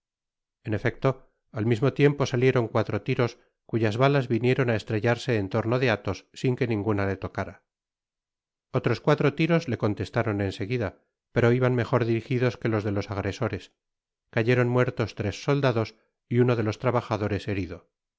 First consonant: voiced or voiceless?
voiced